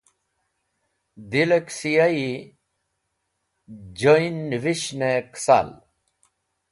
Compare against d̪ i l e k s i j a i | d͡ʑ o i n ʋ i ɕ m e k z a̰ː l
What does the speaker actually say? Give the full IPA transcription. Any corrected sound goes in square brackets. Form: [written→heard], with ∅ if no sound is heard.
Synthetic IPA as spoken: d̪ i l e k s i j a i | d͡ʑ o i n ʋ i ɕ [m→n] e k [z→s] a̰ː l